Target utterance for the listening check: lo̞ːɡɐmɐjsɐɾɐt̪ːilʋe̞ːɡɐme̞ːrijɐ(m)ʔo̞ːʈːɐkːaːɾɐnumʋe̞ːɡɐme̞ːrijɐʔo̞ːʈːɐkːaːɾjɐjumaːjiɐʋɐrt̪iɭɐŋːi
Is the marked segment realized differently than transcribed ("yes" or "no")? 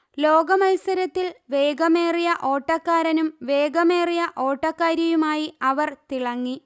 yes